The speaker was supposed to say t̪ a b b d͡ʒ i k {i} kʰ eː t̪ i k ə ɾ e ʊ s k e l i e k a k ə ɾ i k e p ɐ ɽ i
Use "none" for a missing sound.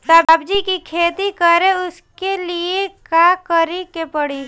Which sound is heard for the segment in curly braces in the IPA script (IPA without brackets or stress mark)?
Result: i